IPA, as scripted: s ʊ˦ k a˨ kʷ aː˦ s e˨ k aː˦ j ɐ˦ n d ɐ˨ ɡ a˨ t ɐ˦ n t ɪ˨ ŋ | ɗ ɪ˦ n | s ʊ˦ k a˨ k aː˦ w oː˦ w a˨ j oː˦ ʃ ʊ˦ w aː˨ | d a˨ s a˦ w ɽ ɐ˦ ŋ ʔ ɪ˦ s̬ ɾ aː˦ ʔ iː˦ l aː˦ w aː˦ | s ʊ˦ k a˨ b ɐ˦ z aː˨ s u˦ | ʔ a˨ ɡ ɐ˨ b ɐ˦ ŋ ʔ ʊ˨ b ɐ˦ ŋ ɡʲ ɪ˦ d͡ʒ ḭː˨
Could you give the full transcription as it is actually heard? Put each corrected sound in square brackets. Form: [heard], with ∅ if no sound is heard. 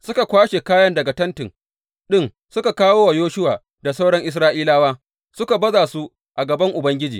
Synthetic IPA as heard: s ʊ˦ k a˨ kʷ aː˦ [ʃ] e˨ k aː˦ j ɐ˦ n d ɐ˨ ɡ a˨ t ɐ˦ n t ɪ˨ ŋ | ɗ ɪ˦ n | s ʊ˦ k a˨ k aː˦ w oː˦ w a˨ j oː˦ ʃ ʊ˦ w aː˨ | d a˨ s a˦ w ɽ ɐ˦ ŋ ʔ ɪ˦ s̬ ɾ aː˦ ʔ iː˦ l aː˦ w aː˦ | s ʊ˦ k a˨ b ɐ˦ z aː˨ s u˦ | ʔ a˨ ɡ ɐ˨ b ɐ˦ ŋ ʔ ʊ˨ b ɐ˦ ŋ ɡʲ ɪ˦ d͡ʒ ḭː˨